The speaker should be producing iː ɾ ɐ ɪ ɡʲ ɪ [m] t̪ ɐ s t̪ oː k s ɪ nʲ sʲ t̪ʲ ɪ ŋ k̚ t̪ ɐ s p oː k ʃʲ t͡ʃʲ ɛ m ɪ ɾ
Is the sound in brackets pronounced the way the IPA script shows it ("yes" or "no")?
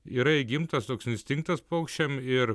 yes